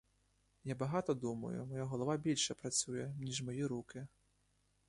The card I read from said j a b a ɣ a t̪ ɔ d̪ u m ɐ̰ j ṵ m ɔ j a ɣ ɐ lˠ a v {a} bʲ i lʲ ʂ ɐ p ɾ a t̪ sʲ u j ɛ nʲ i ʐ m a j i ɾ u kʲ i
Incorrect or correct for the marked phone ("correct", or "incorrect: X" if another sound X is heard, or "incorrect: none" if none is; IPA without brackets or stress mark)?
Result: correct